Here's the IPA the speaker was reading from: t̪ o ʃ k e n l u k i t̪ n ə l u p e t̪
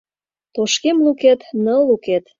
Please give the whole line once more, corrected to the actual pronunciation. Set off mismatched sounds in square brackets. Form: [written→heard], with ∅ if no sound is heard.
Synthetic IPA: t̪ o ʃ k e [n→m] l u k [i→e] t̪ n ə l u [p→k] e t̪